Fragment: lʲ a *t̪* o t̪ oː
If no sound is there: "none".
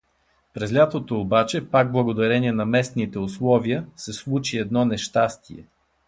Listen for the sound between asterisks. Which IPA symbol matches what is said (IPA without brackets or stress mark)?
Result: t̪